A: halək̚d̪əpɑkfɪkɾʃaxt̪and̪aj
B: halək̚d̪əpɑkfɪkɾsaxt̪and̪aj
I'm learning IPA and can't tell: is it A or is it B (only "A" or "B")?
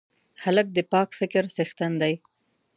B